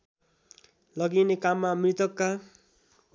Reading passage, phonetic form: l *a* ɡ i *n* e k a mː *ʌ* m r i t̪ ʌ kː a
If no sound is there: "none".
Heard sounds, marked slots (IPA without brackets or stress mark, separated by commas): ʌ, n, a